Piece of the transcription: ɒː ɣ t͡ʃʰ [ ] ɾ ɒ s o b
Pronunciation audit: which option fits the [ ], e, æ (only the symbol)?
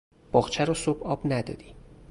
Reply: æ